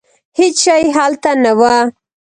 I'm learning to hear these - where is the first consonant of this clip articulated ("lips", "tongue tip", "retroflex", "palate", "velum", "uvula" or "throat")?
throat